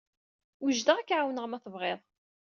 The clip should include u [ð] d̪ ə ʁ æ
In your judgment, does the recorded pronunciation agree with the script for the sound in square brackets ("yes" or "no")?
no